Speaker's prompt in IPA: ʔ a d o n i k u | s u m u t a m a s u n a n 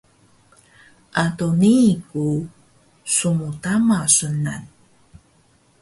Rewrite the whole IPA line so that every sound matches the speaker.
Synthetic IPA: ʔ a t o n i k u | s u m u t a m a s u n a n